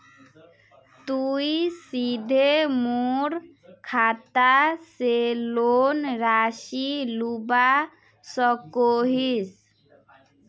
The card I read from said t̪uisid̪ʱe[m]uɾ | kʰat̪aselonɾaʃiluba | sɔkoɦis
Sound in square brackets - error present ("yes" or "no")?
no